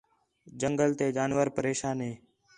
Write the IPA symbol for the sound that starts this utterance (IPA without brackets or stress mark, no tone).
d͡ʒ